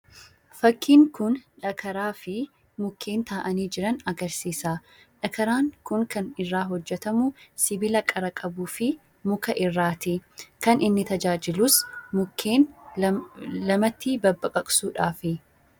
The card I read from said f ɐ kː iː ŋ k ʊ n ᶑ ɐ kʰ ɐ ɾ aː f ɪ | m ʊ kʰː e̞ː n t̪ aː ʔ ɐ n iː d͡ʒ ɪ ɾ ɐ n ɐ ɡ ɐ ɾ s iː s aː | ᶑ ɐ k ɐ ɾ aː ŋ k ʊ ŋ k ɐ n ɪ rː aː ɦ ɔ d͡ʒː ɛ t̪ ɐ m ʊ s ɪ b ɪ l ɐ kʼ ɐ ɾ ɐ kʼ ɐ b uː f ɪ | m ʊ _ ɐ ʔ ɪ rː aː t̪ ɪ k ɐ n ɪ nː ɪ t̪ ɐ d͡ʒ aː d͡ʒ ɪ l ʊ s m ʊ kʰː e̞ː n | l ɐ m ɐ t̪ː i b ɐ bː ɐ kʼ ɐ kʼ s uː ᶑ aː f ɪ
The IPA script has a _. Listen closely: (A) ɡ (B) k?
B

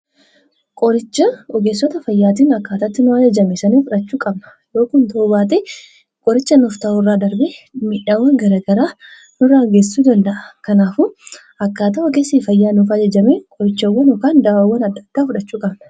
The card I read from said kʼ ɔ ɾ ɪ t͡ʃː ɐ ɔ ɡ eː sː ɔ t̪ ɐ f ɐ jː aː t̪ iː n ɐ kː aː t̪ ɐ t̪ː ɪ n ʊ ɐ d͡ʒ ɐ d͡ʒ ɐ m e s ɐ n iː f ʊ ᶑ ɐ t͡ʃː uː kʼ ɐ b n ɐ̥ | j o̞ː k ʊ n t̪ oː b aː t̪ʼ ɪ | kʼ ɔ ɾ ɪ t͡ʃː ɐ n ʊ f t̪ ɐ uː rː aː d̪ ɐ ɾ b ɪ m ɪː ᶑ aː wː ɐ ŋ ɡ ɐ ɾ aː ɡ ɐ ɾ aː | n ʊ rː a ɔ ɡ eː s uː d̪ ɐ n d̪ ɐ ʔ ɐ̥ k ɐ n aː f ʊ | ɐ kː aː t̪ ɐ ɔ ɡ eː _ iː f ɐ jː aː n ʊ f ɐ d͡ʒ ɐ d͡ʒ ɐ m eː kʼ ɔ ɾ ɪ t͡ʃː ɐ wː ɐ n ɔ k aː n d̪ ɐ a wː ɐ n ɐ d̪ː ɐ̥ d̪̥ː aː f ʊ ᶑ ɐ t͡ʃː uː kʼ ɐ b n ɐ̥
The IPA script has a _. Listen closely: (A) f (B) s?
B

